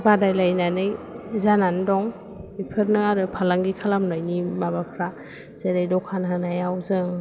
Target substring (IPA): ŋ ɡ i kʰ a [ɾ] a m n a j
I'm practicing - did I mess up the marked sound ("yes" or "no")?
yes